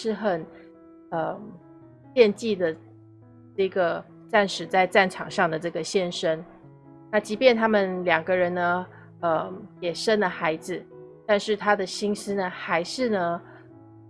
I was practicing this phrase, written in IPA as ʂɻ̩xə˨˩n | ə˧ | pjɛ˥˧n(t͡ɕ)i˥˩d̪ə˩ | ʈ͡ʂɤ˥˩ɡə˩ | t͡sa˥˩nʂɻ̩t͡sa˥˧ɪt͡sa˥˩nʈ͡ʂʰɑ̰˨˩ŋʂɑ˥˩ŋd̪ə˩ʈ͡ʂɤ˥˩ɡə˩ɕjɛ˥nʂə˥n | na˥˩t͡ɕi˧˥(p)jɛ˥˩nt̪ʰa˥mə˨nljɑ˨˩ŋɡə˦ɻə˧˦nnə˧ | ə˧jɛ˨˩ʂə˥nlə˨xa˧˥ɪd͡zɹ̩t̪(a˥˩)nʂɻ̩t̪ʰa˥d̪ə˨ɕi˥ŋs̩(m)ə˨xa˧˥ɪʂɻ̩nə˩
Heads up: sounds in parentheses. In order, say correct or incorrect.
correct, correct, incorrect: a˥˧, incorrect: n

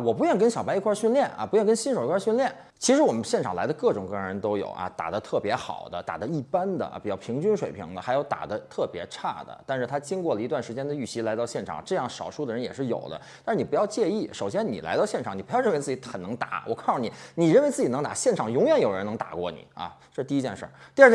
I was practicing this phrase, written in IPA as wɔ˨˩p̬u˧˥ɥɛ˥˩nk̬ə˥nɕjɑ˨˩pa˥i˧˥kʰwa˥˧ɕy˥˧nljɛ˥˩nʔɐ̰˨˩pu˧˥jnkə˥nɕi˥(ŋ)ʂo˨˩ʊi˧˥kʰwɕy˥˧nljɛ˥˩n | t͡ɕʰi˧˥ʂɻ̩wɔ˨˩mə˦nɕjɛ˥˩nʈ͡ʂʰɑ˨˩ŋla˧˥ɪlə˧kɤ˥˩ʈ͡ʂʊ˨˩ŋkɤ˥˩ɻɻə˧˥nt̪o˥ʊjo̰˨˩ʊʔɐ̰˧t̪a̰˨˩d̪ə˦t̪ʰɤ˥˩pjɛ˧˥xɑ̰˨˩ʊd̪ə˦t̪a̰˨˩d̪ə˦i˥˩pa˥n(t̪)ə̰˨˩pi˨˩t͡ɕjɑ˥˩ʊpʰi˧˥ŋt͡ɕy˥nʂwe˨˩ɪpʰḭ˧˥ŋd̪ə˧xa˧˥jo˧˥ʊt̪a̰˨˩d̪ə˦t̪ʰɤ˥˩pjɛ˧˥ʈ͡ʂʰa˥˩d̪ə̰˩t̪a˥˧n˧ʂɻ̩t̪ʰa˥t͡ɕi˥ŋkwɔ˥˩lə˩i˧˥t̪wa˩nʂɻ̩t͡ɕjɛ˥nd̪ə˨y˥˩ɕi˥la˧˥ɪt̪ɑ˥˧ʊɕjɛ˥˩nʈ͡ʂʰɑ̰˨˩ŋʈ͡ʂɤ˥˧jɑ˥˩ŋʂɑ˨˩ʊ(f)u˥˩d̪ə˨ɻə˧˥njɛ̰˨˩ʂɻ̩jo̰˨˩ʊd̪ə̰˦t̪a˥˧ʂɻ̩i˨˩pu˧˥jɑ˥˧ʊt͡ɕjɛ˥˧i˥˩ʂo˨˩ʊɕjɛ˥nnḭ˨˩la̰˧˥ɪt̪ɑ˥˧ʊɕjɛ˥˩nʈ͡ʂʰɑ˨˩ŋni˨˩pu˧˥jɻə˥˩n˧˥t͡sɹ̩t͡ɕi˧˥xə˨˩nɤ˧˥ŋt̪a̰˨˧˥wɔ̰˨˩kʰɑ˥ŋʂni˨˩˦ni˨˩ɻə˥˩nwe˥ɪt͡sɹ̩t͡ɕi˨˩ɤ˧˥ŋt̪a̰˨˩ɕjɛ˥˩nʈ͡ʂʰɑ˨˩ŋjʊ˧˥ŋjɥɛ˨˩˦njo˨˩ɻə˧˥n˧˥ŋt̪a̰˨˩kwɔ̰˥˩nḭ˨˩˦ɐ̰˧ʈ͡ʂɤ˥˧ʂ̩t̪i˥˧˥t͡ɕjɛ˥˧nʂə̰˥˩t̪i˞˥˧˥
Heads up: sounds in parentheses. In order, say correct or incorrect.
incorrect: n, incorrect: d̪, incorrect: ʂ

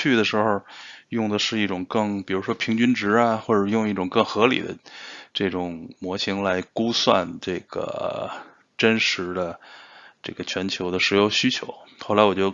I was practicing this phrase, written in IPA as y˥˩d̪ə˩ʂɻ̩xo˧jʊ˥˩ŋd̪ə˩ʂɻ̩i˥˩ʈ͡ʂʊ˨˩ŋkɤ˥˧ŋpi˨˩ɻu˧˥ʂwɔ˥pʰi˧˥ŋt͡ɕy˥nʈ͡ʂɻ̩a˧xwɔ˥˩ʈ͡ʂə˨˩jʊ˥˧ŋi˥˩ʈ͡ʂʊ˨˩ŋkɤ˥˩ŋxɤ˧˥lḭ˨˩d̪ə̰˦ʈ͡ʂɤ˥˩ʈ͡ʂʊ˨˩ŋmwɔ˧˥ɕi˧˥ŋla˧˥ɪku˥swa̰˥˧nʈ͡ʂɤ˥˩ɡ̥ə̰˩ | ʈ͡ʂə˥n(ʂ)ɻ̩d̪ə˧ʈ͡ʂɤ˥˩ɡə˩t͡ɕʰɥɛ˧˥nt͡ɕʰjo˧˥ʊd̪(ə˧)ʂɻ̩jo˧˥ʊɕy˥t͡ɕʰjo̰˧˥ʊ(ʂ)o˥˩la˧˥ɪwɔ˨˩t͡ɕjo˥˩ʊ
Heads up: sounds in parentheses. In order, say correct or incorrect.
correct, correct, incorrect: x

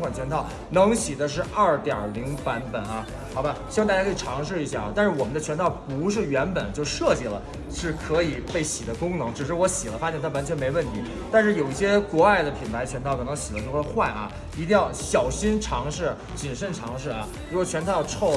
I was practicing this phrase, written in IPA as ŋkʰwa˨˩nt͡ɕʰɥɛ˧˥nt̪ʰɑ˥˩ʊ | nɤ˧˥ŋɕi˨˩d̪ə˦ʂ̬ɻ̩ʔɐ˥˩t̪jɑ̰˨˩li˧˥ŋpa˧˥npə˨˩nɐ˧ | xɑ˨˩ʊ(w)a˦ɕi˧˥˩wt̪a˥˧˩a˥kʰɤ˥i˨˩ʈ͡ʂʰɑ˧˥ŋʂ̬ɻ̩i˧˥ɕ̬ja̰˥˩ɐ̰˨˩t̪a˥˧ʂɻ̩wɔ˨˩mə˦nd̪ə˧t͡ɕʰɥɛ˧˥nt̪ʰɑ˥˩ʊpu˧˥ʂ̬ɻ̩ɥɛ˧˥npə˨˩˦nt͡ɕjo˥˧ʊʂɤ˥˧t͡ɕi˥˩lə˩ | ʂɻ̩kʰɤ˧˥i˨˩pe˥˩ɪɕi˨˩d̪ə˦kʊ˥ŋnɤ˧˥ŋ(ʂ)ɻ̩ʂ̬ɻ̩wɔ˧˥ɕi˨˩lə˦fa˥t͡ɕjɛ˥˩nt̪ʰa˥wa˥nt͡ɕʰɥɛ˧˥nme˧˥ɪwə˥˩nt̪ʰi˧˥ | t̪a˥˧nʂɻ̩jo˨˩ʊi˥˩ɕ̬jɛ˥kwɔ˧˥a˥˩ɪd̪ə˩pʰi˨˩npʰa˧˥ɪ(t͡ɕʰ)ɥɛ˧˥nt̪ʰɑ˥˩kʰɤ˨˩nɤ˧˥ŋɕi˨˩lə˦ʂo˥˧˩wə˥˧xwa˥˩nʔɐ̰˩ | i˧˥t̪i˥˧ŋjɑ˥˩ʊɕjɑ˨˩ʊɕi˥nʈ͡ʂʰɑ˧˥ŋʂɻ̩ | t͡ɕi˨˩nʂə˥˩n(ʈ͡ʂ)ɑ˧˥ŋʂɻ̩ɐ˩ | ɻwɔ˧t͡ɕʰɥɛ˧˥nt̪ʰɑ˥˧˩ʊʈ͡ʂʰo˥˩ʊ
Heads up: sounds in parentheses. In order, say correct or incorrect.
incorrect: b, incorrect: ʈ͡ʂ, correct, incorrect: ʈ͡ʂʰ

